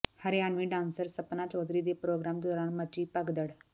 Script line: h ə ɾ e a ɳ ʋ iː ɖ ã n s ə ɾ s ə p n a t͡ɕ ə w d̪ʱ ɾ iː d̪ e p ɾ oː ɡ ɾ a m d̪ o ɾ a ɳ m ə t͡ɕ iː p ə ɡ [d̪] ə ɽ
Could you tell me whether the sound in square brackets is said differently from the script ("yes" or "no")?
no